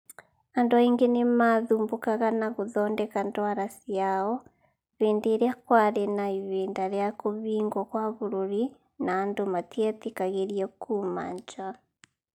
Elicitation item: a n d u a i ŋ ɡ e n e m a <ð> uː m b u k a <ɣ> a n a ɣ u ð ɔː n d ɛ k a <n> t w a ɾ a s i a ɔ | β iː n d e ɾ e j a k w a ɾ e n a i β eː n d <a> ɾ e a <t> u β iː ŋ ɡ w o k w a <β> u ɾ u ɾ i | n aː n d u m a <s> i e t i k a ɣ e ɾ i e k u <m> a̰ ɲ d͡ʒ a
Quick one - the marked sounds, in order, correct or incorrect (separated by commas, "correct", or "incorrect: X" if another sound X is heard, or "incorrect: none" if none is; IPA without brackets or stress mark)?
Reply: correct, correct, correct, correct, incorrect: k, correct, incorrect: t, correct